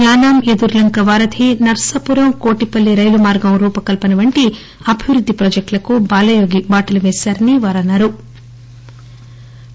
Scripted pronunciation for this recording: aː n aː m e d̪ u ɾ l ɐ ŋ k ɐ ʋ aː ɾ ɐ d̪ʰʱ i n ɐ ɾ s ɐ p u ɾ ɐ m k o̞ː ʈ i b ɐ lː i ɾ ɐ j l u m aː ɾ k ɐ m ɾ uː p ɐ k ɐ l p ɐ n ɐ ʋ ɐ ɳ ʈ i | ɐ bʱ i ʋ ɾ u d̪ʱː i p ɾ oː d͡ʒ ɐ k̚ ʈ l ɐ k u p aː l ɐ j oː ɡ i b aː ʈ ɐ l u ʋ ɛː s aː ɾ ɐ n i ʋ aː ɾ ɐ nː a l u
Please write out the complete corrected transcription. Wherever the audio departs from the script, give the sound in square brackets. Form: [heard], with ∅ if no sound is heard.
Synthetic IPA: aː n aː m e d̪ u ɾ l ɐ ŋ k ɐ ʋ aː ɾ ɐ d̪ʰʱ i n ɐ ɾ s ɐ p u ɾ ɐ m k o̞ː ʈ i [p] ɐ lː i ɾ ɐ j l u m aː ɾ [ɡ] ɐ m ɾ uː p ɐ k ɐ l p ɐ n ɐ ʋ ɐ ɳ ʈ i | ɐ bʱ i ʋ ɾ u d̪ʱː i p ɾ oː d͡ʒ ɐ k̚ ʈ l ɐ k u [b] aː l ɐ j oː ɡ i b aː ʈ ɐ l u ʋ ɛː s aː ɾ ɐ n i ʋ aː ɾ ɐ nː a [ɾ] u

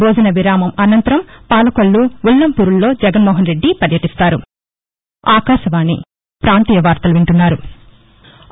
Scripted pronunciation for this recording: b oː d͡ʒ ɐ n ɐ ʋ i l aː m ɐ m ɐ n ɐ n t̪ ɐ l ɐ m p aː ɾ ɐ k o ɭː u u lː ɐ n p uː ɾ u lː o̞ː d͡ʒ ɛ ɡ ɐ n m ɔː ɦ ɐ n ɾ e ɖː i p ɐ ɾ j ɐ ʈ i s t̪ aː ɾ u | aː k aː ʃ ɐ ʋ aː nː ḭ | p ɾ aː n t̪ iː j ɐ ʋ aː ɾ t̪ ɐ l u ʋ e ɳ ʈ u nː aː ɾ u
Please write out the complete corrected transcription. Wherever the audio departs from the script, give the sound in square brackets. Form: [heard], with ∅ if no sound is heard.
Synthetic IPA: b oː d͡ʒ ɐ n ɐ ʋ i [ɾ] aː m ɐ m ɐ n ɐ n t̪ ɐ [ɾ] ɐ m p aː [l] ɐ k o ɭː u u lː ɐ [m] p uː ɾ u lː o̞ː d͡ʒ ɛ ɡ ɐ n m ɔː ɦ ɐ n ɾ e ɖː i p ɐ ɾ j ɐ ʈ i s t̪ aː ɾ u | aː k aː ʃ ɐ ʋ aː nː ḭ | p ɾ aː n t̪ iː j ɐ ʋ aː ɾ t̪ ɐ l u ʋ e ɳ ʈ u nː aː ɾ u

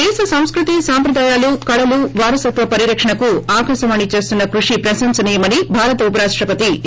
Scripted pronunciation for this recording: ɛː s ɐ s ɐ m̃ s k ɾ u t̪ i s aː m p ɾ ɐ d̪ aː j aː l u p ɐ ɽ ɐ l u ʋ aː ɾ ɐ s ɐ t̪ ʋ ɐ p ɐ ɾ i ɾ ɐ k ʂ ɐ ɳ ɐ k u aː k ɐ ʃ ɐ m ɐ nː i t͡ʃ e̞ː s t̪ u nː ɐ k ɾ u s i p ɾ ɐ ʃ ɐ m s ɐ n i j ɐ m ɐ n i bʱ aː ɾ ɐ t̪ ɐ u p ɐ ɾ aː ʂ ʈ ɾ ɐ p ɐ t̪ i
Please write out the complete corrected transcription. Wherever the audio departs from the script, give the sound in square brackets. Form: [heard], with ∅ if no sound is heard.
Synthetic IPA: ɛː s ɐ s ɐ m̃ s k ɾ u t̪ i s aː m p ɾ ɐ d̪ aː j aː l u [k] ɐ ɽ ɐ l u ʋ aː ɾ ɐ s ɐ t̪ ʋ ɐ p ɐ ɾ i ɾ ɐ k ʂ ɐ ɳ ɐ k u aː k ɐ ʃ ɐ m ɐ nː i t͡ʃ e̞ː s t̪ u nː ɐ k ɾ u [ʂ] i p ɾ ɐ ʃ ɐ m s ɐ n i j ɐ m ɐ n i bʱ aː ɾ ɐ t̪ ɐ u p ɐ ɾ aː ʂ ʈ ɾ ɐ p ɐ t̪ i

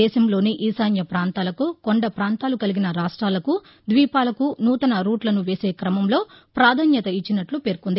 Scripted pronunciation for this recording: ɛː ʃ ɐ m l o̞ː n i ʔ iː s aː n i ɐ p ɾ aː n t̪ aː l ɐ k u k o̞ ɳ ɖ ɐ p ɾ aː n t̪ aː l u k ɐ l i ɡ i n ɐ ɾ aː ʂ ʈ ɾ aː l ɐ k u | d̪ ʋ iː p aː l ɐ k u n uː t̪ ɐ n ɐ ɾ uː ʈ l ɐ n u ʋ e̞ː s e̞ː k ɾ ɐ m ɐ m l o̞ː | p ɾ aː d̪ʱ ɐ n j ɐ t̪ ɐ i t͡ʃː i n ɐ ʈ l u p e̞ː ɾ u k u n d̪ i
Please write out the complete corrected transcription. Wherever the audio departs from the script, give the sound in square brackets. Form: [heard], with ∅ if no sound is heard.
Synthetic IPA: ɛː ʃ ɐ m l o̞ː n i ʔ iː s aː n [j] ɐ p ɾ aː n t̪ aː l ɐ k u k o̞ ɳ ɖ ɐ p ɾ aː n t̪ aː l u k ɐ l i ɡ i n ɐ ɾ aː ʂ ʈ ɾ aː l ɐ k u | d̪ ʋ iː p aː l ɐ k u n uː t̪ ɐ n ɐ ɾ uː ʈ l ɐ n u ʋ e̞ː s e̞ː k ɾ ɐ m ɐ m l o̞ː | p ɾ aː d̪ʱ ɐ n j ɐ t̪ ɐ i t͡ʃː i n ɐ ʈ l u p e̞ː ɾ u k u n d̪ i

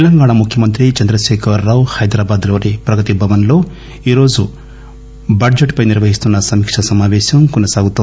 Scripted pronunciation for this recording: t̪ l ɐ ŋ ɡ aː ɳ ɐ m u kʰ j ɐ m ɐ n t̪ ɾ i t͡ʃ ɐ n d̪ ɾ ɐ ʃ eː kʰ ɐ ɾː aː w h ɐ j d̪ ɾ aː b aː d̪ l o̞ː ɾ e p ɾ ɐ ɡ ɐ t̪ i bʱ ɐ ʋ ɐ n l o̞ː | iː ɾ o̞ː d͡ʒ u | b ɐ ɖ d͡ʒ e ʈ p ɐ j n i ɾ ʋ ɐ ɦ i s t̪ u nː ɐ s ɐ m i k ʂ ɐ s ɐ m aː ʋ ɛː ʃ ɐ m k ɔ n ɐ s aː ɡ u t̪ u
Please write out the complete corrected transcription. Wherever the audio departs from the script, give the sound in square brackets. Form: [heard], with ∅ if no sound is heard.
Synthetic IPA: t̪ l ɐ ŋ ɡ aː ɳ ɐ m u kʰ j ɐ m ɐ n t̪ ɾ i t͡ʃ ɐ n d̪ ɾ ɐ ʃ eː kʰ ɐ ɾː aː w h ɐ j d̪ ɾ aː b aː d̪ l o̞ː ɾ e p ɾ ɐ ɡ ɐ t̪ i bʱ ɐ ʋ ɐ n l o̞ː | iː ɾ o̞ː d͡ʒ u | b ɐ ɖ d͡ʒ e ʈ p ɐ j n i ɾ ʋ ɐ ɦ i s t̪ u nː ɐ s ɐ m i k ʂ ɐ s ɐ m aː ʋ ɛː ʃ ɐ m k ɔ n ɐ s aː ɡ u t̪ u

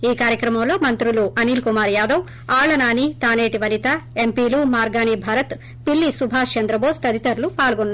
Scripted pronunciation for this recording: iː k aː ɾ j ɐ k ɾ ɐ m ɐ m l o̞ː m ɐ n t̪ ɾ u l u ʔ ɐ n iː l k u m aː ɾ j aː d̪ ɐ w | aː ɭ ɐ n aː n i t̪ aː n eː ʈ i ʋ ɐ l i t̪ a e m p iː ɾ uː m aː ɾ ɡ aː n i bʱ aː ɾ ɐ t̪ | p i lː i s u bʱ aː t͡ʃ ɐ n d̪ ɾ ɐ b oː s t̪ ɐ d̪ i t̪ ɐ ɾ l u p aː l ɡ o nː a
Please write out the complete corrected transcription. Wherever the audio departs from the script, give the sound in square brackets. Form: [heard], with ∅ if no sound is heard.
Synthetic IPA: iː k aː ɾ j ɐ k ɾ ɐ m ɐ m l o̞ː m ɐ n t̪ ɾ u l u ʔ ɐ n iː l k u m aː ɾ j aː d̪ ɐ w | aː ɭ ɐ n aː n i t̪ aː n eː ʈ i ʋ ɐ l i t̪ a e m p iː [l] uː m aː ɾ ɡ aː n i bʱ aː ɾ ɐ t̪ | p i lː i s u bʱ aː t͡ʃ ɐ n d̪ ɾ ɐ b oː s t̪ ɐ d̪ i t̪ ɐ ɾ l u p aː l ɡ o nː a

